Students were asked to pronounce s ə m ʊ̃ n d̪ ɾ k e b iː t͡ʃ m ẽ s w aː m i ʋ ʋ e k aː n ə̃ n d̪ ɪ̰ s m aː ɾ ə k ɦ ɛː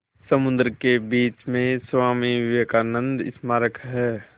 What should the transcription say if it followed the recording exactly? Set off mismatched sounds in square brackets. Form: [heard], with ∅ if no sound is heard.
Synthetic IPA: s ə m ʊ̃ n d̪ ɾ k e b iː t͡ʃ m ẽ s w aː m i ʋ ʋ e k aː n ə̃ n d̪ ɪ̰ s m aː ɾ ə k ɦ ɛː

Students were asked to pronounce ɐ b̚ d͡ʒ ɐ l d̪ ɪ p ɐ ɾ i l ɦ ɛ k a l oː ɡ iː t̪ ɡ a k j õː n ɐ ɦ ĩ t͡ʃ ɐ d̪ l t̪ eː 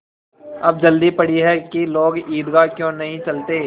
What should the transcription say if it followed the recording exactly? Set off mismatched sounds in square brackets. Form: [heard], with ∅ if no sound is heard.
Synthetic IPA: ɐ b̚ d͡ʒ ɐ l d̪ [i] p ɐ [ɽ] i [∅] ɦ ɛ k [i] l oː ɡ iː [d̪] ɡ a k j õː n ɐ ɦ ĩ t͡ʃ ɐ [∅] l t̪ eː

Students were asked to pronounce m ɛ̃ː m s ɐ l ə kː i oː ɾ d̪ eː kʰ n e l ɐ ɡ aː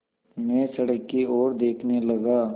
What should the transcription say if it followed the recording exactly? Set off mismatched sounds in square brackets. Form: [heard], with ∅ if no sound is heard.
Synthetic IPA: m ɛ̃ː [∅] s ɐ [ɽ] ə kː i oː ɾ d̪ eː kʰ n e l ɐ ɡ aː

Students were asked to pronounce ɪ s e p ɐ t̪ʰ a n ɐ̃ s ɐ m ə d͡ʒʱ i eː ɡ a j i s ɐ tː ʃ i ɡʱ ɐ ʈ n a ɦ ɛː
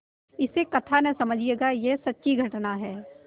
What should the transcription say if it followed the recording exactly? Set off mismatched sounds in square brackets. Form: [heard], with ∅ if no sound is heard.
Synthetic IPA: ɪ s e [k] ɐ t̪ʰ a n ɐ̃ s ɐ m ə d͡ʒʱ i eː ɡ a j [e] s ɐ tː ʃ i ɡʱ ɐ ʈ n a ɦ ɛː

